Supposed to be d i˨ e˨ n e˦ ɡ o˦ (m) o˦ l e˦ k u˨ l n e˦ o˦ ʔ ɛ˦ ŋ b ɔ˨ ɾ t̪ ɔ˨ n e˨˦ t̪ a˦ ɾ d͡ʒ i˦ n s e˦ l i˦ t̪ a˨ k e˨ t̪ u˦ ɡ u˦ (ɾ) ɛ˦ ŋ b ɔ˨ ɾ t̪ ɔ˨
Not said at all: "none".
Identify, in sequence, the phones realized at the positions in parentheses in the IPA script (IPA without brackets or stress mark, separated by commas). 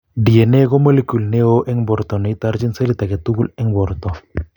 m, l